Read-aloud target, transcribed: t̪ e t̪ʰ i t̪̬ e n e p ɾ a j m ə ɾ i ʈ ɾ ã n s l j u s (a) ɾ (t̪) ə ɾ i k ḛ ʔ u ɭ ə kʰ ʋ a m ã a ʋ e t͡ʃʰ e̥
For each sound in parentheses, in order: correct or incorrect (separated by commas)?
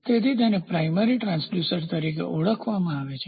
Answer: incorrect, correct